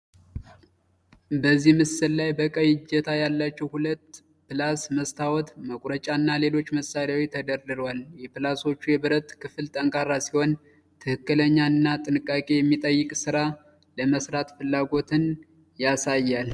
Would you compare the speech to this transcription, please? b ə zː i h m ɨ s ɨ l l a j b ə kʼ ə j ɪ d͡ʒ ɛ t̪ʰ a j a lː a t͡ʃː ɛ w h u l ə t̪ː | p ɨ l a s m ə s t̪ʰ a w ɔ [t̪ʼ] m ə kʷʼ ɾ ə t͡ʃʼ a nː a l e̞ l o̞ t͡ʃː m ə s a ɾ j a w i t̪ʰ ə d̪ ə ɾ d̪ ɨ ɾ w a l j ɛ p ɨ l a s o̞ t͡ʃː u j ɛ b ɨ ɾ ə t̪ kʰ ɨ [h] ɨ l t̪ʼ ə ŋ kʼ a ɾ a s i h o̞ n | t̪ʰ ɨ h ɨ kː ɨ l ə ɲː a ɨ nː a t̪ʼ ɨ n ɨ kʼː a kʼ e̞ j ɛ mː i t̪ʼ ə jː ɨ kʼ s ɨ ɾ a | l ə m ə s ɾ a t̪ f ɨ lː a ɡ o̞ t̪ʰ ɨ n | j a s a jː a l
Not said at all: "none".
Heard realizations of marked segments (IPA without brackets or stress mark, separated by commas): t̪, f